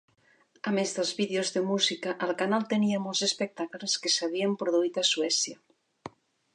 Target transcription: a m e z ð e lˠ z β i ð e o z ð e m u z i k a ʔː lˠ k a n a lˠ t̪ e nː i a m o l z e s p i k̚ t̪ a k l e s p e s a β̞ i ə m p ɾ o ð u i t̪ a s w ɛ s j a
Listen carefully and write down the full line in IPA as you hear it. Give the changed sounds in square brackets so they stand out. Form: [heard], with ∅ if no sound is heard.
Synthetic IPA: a m e z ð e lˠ z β i ð e o z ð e m u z i k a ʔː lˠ k a n a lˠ t̪ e [n] i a m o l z e s p [e] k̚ t̪ a k l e s [k] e s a β̞ i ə m p ɾ o ð u i t̪ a s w ɛ s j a